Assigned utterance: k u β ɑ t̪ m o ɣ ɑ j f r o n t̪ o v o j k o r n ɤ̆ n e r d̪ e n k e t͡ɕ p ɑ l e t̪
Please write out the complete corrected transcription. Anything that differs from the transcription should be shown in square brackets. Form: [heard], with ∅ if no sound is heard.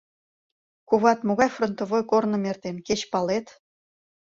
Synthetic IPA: k u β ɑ t̪ m o ɣ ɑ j f r o n t̪ o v o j k o r n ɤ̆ [m] e r [t̪] e n k e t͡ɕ p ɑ l e t̪